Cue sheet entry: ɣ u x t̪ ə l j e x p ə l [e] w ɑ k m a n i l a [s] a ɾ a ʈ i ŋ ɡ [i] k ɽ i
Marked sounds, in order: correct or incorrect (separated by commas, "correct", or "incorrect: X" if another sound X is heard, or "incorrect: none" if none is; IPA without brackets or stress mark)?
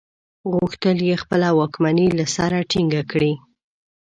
incorrect: a, correct, incorrect: a